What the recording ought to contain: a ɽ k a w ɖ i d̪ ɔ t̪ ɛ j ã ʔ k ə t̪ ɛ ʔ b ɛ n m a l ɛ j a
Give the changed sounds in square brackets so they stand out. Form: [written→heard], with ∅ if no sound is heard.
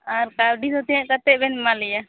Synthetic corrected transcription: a [ɽ→ɾ] k a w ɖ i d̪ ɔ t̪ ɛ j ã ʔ k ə t̪ ɛ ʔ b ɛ n m a l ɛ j a